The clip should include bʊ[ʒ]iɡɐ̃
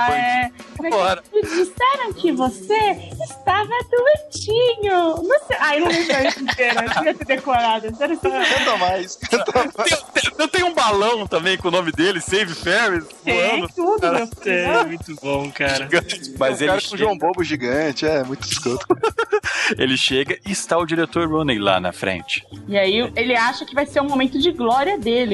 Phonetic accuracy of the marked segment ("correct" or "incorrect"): correct